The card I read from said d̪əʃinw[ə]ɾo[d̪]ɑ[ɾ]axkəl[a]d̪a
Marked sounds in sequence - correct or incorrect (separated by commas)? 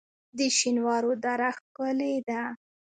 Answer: incorrect, correct, correct, incorrect